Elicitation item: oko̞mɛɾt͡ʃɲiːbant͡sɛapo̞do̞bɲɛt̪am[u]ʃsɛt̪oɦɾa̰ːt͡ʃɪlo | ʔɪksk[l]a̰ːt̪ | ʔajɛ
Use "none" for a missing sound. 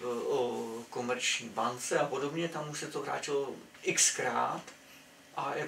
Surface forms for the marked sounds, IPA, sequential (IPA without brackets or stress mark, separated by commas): u, ɾ